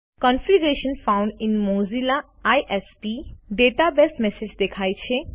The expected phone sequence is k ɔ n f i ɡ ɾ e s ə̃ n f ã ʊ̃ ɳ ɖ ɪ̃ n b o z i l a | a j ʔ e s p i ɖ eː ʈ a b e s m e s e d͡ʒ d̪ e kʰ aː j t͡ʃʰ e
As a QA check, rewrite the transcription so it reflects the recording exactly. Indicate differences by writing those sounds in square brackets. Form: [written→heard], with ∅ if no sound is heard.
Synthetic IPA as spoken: k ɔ n f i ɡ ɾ e [s→ʃ] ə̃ n f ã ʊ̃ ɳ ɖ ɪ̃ n [b→m] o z i l a | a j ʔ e s p i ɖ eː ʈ a b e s m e s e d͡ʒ d̪ e kʰ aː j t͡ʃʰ e